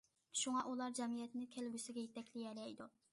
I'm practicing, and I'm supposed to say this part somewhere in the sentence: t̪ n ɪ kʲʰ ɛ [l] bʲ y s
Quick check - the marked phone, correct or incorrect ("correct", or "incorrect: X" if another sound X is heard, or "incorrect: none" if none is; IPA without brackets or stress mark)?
correct